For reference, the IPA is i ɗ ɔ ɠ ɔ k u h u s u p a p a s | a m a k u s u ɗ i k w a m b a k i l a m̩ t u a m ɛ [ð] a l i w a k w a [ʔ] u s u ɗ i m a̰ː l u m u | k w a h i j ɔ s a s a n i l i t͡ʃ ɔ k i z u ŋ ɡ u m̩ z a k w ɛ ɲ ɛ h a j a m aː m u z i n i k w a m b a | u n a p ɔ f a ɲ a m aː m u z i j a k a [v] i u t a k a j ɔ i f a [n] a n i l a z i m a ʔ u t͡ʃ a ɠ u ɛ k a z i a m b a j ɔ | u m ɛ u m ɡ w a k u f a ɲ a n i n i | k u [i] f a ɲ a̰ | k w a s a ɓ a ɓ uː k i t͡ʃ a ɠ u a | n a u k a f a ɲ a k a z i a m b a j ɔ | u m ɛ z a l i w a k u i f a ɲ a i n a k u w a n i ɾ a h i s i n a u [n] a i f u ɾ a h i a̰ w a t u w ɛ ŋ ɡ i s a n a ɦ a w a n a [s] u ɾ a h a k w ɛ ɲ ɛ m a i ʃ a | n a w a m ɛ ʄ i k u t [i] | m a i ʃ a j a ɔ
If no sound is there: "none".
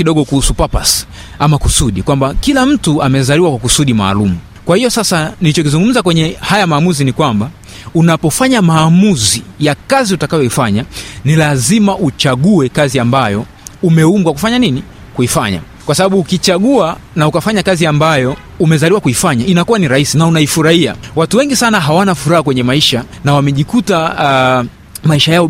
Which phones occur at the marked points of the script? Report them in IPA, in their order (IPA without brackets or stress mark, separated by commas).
z, k, z, ɲ, i, n, f, a